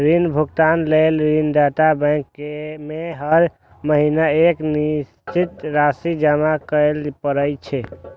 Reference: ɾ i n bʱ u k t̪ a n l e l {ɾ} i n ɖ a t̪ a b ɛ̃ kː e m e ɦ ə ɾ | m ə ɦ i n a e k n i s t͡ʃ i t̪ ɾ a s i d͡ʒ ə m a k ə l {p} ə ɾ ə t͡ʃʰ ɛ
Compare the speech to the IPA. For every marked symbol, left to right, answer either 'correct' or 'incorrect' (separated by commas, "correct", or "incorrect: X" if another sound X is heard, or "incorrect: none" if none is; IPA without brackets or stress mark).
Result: correct, correct